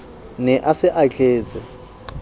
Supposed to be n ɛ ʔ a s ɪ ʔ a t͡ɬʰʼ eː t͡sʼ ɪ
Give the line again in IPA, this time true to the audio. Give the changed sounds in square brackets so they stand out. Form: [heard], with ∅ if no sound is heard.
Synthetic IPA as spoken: n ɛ ʔ a s ɪ ʔ a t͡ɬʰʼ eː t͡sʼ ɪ